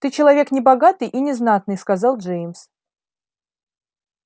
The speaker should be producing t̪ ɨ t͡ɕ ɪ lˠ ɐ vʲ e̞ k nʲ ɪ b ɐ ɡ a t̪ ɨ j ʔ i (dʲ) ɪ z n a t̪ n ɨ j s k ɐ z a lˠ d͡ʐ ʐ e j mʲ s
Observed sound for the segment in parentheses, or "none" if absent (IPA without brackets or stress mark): nʲ